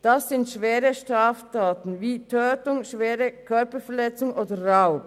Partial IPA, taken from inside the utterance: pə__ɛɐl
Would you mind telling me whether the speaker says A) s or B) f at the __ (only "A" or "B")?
B